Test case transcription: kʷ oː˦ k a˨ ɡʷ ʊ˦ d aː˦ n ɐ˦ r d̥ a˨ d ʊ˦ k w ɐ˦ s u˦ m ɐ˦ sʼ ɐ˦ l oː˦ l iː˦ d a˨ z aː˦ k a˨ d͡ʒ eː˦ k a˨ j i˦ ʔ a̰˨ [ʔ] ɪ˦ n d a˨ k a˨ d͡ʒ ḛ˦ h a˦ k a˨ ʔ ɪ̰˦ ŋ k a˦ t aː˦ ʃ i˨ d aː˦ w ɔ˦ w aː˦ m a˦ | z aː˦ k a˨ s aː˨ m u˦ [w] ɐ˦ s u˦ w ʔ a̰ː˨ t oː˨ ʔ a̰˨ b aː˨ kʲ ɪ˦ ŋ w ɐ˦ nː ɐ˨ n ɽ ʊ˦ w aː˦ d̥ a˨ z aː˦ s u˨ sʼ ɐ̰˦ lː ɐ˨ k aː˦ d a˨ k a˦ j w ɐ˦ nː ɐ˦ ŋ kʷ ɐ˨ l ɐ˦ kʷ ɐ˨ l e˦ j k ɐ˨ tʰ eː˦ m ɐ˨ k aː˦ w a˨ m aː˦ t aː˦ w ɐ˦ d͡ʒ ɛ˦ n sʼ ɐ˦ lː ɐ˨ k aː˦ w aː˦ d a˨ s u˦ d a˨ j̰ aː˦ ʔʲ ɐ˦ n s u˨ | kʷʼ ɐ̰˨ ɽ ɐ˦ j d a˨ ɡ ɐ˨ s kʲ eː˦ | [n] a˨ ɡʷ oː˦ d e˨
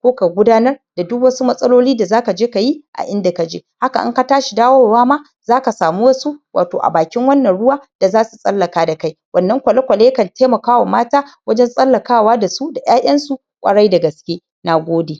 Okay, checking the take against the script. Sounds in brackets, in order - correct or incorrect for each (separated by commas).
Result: correct, correct, correct